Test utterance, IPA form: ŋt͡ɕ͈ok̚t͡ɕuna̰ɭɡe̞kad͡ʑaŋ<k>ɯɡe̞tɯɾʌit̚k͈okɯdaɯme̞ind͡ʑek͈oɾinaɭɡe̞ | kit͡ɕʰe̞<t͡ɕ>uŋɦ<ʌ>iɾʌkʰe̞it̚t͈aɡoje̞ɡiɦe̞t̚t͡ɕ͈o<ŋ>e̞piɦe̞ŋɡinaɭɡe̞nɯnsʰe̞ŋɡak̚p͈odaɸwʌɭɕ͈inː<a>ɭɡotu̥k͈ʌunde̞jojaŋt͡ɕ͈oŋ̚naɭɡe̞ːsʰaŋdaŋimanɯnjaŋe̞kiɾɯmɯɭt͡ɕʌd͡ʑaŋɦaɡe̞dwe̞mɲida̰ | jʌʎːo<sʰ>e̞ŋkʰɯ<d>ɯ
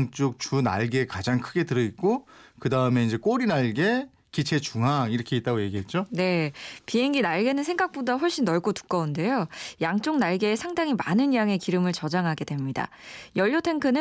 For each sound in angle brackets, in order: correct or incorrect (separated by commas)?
incorrect, correct, incorrect, incorrect, incorrect, incorrect, incorrect